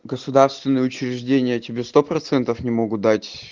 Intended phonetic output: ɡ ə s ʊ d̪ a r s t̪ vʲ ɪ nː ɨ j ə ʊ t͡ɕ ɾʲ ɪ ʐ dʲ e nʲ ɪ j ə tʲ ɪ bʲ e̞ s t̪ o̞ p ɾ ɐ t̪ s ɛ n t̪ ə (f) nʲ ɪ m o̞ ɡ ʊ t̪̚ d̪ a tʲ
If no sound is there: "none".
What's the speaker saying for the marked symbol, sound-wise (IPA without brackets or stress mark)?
f